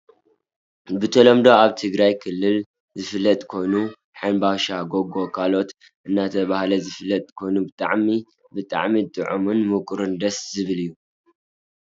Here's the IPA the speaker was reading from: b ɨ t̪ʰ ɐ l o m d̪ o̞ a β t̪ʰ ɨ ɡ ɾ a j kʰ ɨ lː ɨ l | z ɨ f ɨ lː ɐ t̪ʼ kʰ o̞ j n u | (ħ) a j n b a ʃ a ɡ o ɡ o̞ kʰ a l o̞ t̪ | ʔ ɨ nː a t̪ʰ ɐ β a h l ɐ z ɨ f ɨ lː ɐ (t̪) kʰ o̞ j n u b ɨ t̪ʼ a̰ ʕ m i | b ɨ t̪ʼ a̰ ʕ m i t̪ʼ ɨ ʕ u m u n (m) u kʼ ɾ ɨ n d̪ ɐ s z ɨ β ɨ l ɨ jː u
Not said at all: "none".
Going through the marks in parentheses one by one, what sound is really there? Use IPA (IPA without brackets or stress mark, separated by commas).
ħ, t̪ʼ, m